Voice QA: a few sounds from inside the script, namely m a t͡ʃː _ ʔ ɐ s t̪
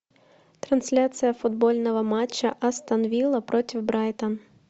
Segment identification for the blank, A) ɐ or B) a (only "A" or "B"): A